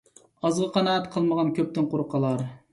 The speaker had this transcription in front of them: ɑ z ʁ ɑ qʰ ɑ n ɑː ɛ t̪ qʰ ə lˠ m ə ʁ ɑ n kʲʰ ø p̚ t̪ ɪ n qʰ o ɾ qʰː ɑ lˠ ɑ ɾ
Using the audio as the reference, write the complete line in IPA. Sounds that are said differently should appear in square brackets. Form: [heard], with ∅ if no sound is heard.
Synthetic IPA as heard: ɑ z ʁ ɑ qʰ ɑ n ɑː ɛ t̪ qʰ ə lˠ m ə ʁ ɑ n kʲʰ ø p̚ t̪ ɪ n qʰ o ɾ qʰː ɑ lˠ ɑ ɾ

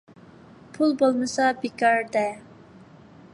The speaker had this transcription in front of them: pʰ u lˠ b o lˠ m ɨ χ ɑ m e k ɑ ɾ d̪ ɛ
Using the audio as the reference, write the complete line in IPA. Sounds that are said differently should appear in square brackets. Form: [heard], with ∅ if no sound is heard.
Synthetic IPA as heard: pʰ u lˠ b o lˠ m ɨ [s] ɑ [b] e k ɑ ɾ d̪ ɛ

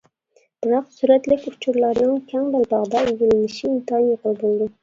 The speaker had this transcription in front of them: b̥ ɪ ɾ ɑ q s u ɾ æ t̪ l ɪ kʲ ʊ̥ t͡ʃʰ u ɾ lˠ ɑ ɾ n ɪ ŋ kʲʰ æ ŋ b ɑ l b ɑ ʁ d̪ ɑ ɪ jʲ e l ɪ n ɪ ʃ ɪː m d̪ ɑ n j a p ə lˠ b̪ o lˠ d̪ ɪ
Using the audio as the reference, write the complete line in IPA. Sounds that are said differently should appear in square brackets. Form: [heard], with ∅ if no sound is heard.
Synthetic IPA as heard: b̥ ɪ ɾ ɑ q s u ɾ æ t̪ l ɪ kʲ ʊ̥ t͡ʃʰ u ɾ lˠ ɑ ɾ n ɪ ŋ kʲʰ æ ŋ b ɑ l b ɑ ʁ d̪ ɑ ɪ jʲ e l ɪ n ɪ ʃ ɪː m [t̪] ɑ n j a [q] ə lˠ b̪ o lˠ d̪ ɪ

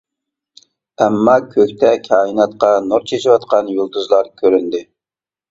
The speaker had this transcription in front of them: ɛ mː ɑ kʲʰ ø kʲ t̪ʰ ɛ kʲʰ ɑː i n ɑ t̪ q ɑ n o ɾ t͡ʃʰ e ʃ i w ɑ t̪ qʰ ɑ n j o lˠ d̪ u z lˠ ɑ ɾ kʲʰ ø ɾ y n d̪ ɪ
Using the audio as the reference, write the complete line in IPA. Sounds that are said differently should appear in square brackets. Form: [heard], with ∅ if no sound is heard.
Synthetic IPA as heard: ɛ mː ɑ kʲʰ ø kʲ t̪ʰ ɛ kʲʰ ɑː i n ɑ t̪ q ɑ n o ɾ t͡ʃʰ e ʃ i w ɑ t̪ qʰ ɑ n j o lˠ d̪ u z lˠ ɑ ɾ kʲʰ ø ɾ y n d̪ ɪ

